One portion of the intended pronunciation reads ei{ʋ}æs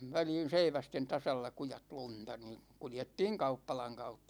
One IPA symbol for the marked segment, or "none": ʋ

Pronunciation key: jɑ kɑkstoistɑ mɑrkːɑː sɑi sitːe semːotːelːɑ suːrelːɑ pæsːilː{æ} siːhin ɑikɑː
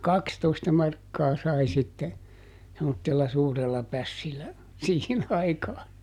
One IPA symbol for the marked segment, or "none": æ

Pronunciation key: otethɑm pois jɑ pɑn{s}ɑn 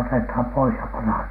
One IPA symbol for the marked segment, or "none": h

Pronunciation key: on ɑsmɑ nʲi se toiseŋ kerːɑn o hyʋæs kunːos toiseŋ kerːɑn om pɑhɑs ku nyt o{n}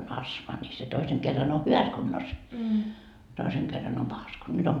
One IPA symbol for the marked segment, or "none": m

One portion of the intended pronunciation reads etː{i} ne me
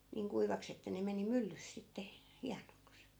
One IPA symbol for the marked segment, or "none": æ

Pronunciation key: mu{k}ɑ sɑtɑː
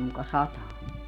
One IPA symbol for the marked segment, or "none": k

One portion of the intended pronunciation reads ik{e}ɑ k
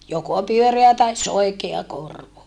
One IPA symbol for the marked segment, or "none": e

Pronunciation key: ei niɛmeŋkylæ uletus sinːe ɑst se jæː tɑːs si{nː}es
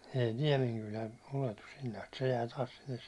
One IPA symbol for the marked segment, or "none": nː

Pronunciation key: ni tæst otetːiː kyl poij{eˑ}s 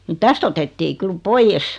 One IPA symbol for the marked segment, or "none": eˑ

